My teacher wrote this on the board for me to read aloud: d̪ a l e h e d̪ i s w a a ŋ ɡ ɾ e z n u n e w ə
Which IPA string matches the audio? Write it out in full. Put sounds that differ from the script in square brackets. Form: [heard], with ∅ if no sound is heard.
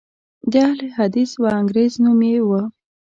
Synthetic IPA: d̪ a l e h [a] d̪ i s w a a ŋ ɡ ɾ e z n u [m] e w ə

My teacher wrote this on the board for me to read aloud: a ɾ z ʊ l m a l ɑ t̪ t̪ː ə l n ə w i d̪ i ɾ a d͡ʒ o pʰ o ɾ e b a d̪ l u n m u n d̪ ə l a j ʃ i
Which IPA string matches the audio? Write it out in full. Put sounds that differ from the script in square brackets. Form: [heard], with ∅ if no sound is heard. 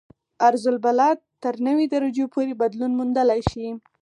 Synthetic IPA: a ɾ z ʊ l [b] a l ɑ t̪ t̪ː ə [ɾ] n ə w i d̪ [a] ɾ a d͡ʒ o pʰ o ɾ e b a d̪ l u n m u n d̪ ə l a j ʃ i

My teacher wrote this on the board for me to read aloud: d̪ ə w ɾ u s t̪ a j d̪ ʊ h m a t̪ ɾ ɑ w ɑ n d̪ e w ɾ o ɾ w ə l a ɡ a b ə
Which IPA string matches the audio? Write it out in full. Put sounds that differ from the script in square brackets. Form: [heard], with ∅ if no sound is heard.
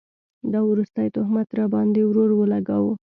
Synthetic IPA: d̪ [ɑ] w ɾ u s t̪ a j [t̪] ʊ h m a t̪ ɾ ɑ [b] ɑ n d̪ e w ɾ o ɾ w ə l a ɡ a [w] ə

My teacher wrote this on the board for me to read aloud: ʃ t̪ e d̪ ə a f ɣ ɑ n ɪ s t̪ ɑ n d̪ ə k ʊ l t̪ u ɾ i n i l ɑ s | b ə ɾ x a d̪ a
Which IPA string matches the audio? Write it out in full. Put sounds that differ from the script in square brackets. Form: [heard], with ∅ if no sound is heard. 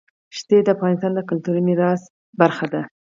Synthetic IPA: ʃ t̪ e d̪ ə a f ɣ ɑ n ɪ s t̪ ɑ n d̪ ə k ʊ l t̪ u ɾ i n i [ɾ] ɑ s | b [a] ɾ x a d̪ a

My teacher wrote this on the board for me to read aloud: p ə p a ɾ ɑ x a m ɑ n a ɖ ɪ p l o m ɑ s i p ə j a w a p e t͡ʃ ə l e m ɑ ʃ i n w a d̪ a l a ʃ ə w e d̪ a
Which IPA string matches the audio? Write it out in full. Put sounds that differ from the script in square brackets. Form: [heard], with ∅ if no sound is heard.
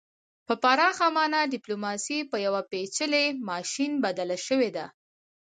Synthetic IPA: p ə p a ɾ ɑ x a m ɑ n a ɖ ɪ p l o m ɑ s i p ə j a w a p e t͡ʃ ə l e m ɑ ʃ i n [b] a d̪ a l a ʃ ə w e d̪ a

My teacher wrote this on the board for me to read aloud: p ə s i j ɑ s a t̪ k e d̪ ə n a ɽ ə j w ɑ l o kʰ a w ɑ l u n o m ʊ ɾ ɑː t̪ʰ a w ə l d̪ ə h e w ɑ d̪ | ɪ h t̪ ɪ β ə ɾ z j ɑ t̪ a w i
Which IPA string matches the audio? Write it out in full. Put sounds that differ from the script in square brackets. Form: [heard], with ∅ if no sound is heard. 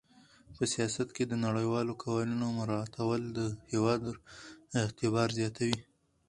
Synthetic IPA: p ə s i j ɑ s a t̪ k e d̪ ə n a ɽ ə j w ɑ l o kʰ a w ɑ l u n o m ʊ ɾ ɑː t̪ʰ a w ə l d̪ ə h e w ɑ d̪ | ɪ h t̪ ɪ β [ɑ] ɾ z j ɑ t̪ a w i

